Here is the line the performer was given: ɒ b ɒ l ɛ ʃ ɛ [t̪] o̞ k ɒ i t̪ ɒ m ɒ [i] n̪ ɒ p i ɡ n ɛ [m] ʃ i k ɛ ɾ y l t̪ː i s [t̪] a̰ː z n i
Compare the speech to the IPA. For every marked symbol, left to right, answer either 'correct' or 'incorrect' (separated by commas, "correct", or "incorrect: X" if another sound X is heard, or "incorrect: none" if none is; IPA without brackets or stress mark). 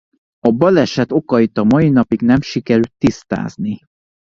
correct, correct, correct, correct